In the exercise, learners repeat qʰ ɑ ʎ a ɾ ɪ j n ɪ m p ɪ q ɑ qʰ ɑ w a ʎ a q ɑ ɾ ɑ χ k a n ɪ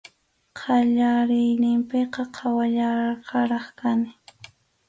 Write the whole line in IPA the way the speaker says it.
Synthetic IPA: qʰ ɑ ʎ a ɾ ɪ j n ɪ m p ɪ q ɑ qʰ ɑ w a ʎ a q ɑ ɾ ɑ χ k a n ɪ